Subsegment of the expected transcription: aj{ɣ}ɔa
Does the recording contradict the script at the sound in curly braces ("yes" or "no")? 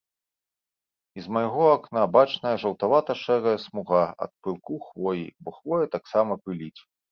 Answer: no